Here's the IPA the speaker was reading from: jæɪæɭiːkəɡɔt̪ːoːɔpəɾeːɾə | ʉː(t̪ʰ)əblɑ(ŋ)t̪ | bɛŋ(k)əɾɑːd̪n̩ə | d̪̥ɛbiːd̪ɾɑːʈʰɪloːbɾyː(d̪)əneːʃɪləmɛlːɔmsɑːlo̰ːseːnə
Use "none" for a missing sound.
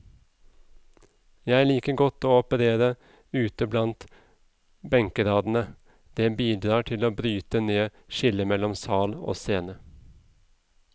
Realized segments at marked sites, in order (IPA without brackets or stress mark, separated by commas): t̪, n, k, t̪